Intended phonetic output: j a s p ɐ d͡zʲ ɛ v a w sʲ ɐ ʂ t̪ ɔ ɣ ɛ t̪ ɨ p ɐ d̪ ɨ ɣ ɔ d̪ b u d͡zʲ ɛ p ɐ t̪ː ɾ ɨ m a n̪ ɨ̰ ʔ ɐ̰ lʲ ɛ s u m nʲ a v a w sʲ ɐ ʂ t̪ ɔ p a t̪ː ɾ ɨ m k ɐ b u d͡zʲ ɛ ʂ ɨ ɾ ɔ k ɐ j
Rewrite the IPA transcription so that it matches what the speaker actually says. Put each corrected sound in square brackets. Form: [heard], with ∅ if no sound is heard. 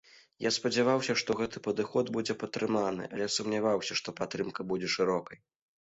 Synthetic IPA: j a s p ɐ d͡zʲ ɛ v a w sʲ ɐ ʂ t̪ ɔ ɣ ɛ t̪ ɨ p ɐ d̪ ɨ [x] ɔ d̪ b u d͡zʲ ɛ p ɐ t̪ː ɾ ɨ m a n̪ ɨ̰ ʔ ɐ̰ lʲ ɛ s u m nʲ a v a w sʲ ɐ ʂ t̪ ɔ p a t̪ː ɾ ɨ m k ɐ b u d͡zʲ ɛ ʂ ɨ ɾ ɔ k ɐ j